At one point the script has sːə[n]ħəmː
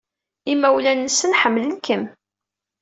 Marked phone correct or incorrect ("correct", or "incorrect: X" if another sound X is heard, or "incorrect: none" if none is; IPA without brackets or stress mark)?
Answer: correct